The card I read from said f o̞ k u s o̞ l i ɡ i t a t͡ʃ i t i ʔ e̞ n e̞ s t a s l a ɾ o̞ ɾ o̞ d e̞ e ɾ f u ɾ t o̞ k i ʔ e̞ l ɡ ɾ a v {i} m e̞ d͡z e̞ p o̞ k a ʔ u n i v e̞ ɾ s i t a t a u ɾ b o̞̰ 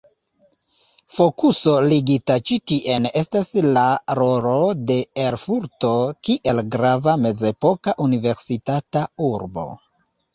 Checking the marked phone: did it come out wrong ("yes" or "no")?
yes